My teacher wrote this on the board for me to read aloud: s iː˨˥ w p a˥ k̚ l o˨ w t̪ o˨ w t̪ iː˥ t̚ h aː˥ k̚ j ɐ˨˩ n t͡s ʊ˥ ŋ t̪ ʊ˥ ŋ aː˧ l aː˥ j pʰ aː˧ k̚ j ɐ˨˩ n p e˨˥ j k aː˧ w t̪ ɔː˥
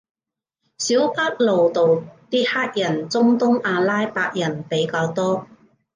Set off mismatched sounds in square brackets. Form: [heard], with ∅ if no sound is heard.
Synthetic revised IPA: s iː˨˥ w p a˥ k̚ l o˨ w t̪ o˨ w t̪ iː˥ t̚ h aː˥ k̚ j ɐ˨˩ n t͡s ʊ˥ ŋ t̪ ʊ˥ ŋ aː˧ l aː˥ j [p] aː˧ k̚ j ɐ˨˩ n p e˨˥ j k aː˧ w t̪ ɔː˥